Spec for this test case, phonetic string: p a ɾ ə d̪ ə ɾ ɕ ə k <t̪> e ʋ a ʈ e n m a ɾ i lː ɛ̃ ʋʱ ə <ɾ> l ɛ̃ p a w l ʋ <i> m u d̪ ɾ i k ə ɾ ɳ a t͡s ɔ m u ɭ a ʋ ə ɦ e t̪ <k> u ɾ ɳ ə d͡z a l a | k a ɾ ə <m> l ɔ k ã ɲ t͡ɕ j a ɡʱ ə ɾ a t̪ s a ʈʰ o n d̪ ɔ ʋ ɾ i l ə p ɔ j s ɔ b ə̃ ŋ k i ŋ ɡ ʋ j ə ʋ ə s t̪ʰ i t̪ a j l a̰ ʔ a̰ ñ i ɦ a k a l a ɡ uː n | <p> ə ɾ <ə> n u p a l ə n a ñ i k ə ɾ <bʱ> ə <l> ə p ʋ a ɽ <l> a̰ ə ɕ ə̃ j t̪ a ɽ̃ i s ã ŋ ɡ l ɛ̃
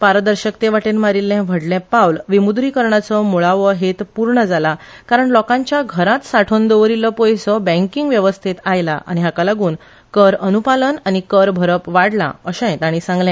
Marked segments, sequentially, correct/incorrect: correct, incorrect: ɽ, correct, incorrect: p, incorrect: ɳ, incorrect: k, correct, correct, incorrect: ɾ, correct

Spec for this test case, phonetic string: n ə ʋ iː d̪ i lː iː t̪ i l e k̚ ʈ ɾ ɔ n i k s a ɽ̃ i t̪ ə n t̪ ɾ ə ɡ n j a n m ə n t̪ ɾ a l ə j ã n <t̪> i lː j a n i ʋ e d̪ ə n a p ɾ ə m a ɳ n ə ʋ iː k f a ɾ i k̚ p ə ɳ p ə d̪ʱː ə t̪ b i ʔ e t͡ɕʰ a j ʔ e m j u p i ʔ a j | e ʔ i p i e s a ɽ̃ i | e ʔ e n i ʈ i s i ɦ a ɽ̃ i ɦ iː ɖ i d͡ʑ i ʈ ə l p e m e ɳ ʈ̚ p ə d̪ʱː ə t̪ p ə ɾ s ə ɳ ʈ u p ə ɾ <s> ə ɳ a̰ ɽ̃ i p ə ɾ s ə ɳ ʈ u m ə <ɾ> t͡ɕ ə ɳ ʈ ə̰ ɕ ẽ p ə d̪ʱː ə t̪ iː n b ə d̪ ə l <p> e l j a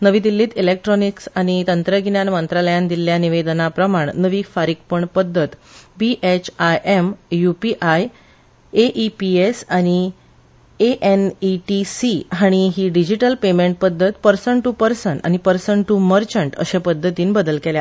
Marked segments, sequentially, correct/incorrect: incorrect: d̪, correct, correct, incorrect: k

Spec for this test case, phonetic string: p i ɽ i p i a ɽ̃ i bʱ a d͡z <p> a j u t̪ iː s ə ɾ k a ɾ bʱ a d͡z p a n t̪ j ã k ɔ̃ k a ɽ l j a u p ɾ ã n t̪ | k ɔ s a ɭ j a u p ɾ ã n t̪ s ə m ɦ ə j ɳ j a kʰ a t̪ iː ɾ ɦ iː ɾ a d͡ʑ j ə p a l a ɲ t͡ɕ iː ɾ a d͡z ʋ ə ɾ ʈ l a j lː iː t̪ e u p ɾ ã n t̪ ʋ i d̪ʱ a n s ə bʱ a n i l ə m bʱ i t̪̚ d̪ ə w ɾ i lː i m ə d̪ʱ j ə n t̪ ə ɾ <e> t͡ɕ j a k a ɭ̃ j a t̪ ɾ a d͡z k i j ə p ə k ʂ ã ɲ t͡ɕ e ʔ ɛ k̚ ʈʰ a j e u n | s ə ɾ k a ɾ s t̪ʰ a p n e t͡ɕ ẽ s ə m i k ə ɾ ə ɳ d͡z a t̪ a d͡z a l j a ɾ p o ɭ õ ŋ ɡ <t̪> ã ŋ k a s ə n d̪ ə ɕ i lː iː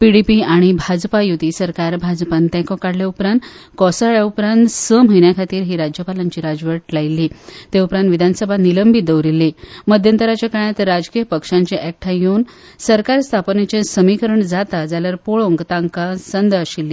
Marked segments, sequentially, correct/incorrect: correct, incorrect: a, correct

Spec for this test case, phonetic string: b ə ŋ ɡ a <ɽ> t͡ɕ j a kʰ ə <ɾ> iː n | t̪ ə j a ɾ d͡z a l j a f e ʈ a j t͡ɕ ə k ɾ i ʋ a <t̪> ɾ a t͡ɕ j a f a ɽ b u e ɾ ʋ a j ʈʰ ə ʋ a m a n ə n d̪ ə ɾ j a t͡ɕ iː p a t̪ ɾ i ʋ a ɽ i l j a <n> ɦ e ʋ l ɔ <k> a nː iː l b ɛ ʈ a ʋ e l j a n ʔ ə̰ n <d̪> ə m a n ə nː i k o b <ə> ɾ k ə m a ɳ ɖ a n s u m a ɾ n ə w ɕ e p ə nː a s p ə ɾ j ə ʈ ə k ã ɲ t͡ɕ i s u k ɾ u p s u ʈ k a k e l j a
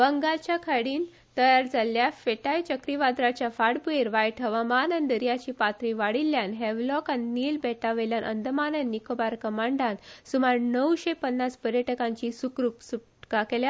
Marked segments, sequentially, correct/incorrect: incorrect: l, incorrect: ɽ, incorrect: d̪, correct, correct, correct, incorrect: a

